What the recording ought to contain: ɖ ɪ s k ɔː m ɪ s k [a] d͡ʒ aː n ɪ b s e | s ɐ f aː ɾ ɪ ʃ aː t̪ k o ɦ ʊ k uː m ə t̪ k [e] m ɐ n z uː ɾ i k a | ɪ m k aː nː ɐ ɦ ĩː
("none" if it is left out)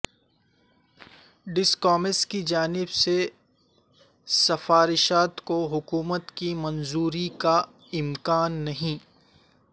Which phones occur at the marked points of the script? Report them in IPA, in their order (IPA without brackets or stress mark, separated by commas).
i, i